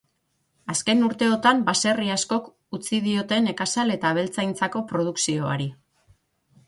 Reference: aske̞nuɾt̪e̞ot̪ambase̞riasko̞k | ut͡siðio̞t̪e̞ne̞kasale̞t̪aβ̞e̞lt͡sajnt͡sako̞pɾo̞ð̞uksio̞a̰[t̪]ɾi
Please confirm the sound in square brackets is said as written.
no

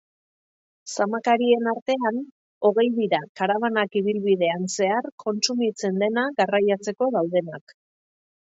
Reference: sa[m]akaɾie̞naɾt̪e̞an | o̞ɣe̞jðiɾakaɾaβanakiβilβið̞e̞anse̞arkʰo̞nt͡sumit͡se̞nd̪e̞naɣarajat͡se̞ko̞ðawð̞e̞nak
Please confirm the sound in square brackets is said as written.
yes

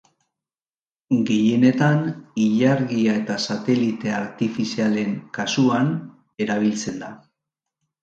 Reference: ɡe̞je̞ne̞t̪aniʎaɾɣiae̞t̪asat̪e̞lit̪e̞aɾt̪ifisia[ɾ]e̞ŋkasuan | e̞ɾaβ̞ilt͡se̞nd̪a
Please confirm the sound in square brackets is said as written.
no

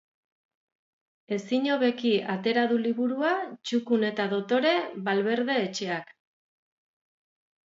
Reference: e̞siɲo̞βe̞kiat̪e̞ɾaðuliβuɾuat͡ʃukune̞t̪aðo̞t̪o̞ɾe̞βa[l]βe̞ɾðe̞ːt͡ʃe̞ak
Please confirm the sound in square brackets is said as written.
yes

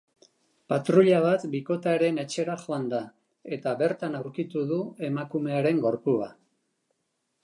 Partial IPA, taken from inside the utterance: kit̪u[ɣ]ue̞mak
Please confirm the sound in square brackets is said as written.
no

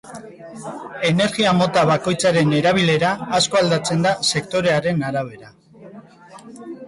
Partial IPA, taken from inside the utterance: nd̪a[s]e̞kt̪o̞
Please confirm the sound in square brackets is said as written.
yes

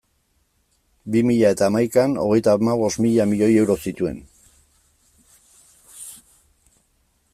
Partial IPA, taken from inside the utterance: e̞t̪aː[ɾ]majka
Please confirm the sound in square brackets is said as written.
no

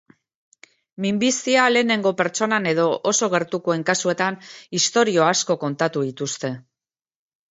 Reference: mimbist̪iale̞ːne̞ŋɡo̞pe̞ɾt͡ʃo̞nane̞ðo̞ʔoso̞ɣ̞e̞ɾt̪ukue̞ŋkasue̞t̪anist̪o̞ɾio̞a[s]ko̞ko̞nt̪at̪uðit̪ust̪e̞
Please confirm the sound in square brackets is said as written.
yes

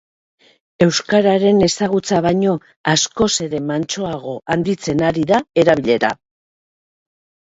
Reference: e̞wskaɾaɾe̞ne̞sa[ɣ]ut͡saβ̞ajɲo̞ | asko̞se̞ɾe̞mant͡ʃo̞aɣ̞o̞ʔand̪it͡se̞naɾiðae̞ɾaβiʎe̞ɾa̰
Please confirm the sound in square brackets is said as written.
yes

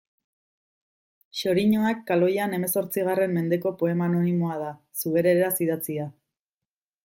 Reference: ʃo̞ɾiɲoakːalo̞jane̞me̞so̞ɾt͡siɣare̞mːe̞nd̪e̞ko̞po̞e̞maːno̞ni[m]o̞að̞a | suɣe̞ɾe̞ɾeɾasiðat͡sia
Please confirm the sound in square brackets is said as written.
yes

